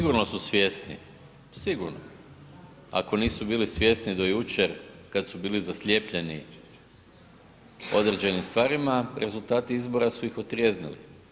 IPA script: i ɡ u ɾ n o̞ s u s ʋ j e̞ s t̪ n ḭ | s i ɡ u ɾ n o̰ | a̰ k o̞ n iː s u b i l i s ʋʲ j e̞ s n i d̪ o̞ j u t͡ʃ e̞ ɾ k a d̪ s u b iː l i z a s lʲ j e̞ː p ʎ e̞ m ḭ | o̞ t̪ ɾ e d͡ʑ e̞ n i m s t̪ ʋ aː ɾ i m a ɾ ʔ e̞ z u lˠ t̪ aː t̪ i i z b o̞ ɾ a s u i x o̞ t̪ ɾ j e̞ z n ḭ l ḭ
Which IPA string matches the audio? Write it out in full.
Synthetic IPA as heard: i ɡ u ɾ n o̞ s u s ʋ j e̞ s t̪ n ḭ | s i ɡ u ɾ n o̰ | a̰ k o̞ n iː s u b iː l i s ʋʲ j e̞ s n i d̪ o̞ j u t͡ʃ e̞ ɾ k a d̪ s u b iː l i z a s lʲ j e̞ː p ʎ e̞ n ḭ | o̞ d̪ ɾ e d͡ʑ e̞ n i m s t̪ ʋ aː ɾ i m a ɾ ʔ e̞ z u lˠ t̪ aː t̪ i i z b o̞ ɾ a s u i x o̞ t̪ ɾ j e̞ z n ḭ l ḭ